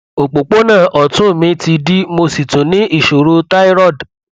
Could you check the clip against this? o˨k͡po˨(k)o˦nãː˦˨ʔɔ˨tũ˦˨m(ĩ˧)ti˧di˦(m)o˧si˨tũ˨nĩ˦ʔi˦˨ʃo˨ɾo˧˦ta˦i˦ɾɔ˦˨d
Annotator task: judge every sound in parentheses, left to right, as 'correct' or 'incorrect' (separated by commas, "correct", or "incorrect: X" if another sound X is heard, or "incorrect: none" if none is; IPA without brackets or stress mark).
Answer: incorrect: k͡p, correct, correct